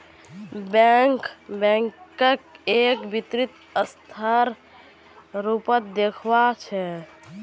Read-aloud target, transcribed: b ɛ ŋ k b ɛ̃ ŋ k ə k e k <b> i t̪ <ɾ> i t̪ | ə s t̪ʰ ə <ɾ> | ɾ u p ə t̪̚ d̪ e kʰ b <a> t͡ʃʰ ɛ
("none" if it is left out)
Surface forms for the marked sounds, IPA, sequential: b, ɾ, ɾ, a

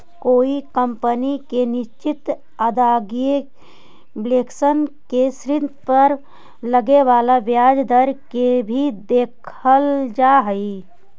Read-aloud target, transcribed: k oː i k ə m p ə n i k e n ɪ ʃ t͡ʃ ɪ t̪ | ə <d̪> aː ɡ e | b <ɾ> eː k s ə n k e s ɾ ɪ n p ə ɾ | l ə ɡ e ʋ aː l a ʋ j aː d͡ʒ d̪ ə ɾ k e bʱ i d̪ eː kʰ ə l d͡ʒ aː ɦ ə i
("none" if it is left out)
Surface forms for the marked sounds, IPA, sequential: d̪, l

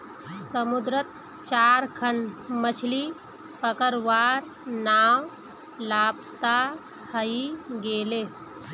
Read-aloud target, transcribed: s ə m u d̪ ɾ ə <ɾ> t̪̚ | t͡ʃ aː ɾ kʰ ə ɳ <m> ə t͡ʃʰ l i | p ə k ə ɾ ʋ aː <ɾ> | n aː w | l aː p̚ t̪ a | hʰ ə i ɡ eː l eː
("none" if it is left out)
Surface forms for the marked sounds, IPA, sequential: none, m, ɾ

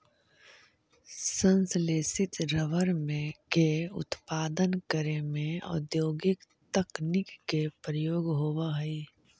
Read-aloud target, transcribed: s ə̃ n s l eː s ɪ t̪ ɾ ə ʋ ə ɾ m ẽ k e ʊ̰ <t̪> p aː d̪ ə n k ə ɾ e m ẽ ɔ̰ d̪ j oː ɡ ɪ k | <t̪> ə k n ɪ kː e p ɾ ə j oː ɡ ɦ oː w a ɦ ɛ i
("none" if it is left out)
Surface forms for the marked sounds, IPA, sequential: t̪, t̪

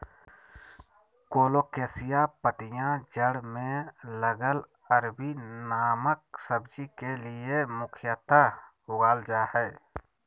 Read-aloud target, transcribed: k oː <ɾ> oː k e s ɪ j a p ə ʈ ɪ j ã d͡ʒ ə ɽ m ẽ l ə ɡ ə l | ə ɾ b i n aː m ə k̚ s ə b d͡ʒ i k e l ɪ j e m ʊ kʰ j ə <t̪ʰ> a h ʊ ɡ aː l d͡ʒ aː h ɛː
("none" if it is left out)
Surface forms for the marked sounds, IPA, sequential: l, t̪

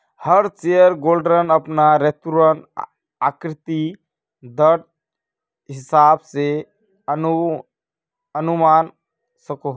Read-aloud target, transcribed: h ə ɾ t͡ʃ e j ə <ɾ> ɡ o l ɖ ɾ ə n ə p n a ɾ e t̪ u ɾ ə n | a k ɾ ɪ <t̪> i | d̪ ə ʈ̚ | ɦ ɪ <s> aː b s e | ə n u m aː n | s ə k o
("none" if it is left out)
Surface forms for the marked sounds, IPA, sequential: ɾ, t̪, s

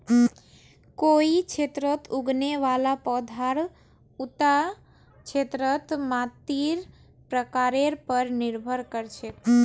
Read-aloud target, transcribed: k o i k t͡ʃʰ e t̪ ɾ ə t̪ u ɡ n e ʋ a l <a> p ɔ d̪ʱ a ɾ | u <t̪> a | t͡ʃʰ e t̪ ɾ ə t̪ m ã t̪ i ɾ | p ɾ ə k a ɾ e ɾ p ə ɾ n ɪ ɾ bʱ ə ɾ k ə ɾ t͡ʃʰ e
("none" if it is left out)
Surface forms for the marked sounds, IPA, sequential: a, t̪

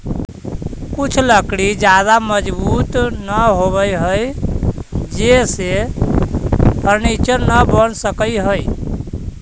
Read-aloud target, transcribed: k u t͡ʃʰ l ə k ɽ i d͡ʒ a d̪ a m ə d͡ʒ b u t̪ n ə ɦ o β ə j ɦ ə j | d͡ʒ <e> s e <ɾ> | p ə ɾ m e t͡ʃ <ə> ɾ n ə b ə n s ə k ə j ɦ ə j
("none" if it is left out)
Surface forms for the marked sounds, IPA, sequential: e, none, ə

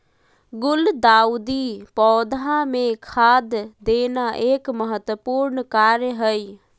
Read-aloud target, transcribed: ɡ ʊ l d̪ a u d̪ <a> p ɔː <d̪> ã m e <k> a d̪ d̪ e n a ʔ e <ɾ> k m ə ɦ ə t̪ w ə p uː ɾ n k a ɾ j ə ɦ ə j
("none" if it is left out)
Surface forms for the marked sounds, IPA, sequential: i, d̪, kʰ, none

